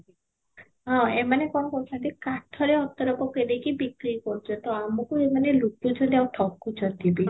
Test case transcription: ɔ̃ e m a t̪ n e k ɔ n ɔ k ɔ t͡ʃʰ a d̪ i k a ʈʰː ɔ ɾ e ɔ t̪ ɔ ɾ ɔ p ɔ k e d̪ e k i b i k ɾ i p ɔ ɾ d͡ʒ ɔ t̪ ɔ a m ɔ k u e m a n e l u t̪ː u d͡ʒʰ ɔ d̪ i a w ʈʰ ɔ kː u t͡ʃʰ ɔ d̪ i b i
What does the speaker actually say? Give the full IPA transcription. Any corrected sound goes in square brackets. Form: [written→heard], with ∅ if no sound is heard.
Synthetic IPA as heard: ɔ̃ e m a [t̪→∅] n e k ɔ n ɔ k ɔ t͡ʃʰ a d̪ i k a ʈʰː ɔ ɾ e ɔ t̪ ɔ ɾ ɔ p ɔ k e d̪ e k i b i k ɾ i [p→k] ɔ ɾ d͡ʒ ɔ t̪ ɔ a m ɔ k u e m a n e l u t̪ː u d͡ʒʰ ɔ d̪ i a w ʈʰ ɔ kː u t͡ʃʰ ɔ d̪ i b i